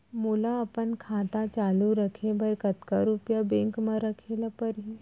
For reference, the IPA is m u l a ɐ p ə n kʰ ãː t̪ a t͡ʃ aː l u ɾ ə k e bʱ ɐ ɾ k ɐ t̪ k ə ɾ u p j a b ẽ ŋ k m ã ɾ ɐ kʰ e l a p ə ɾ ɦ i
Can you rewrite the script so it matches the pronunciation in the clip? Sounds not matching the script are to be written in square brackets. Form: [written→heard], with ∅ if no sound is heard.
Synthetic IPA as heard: m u l a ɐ p ə n kʰ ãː t̪ a t͡ʃ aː l u ɾ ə [k→kʰ] e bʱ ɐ ɾ k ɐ t̪ k [ə→a] ɾ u p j a b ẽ ŋ k m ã ɾ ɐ kʰ e l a p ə ɾ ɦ i